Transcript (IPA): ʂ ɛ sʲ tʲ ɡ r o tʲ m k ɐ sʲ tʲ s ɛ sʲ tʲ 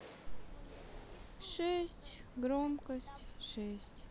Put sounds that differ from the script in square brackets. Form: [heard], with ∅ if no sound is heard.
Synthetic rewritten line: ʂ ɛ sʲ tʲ ɡ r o [∅] m k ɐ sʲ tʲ [ʂ] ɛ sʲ tʲ